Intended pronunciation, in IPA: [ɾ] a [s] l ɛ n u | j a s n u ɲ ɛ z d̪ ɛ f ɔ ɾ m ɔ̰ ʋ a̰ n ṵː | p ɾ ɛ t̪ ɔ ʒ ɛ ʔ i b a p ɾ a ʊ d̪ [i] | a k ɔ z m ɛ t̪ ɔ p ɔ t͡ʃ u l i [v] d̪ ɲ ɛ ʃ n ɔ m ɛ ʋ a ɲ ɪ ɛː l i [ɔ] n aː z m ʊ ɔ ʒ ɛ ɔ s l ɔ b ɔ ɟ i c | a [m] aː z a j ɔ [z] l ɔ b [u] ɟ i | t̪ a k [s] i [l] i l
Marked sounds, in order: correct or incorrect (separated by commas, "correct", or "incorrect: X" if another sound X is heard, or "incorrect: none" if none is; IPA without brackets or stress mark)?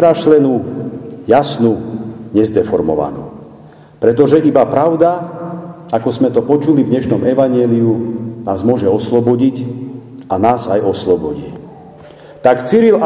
correct, incorrect: ʃ, incorrect: a, correct, incorrect: u, incorrect: n, incorrect: s, incorrect: ɔ, incorrect: t͡s, incorrect: ɾ